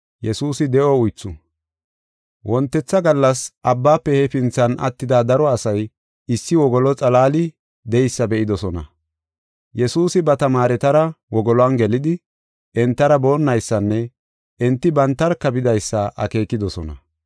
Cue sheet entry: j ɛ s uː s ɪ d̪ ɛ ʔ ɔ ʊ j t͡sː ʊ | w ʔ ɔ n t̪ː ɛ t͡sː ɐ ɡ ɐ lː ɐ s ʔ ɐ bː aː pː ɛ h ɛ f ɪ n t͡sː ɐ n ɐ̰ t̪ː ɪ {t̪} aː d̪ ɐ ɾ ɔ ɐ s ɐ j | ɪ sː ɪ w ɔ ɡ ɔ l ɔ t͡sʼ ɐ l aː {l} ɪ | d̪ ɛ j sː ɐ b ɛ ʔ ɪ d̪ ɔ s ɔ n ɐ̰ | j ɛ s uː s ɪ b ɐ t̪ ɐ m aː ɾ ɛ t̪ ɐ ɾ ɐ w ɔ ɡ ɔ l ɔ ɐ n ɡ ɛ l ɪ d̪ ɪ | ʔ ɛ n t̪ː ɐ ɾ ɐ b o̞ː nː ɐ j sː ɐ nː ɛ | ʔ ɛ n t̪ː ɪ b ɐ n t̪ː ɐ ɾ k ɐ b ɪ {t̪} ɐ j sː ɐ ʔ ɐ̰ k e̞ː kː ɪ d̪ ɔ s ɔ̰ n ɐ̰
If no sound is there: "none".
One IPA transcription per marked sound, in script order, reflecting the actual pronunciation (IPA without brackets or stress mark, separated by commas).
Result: d̪, l, d̪